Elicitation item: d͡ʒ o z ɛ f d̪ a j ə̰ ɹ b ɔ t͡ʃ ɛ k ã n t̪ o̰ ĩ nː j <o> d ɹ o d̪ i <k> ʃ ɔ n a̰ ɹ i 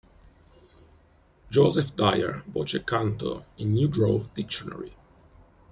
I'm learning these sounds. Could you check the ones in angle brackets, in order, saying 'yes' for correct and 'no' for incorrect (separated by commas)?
no, yes